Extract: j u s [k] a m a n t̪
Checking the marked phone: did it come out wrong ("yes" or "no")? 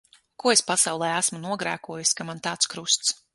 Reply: no